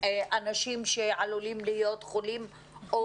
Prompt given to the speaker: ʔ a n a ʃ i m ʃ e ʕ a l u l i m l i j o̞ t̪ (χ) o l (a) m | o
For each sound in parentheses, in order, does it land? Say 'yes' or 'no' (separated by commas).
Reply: yes, no